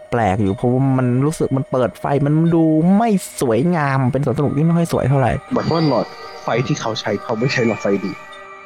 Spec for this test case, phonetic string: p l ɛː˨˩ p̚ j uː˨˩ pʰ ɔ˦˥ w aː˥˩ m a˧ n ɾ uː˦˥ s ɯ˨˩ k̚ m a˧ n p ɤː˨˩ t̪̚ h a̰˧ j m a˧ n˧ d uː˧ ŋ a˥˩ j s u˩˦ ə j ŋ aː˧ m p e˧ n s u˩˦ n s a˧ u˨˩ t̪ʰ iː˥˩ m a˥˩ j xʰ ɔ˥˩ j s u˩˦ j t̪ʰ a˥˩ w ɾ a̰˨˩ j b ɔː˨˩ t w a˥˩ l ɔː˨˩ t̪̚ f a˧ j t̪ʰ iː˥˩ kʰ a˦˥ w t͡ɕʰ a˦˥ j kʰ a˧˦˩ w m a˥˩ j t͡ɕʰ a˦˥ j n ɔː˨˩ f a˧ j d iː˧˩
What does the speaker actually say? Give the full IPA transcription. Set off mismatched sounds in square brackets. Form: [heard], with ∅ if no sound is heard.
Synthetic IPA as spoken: p l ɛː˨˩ [k̚] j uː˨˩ pʰ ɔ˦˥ w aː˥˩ m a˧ n ɾ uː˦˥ s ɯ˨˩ k̚ m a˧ n p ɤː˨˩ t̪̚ [f] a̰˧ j m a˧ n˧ d uː˧ [m] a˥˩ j s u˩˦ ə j ŋ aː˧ m p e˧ n s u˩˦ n s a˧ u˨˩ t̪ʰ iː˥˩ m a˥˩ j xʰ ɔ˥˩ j s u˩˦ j t̪ʰ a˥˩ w ɾ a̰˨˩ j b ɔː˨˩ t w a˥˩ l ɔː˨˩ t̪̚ f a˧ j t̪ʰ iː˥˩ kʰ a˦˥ w t͡ɕʰ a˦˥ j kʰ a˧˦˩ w m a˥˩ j t͡ɕʰ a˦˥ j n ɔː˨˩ f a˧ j d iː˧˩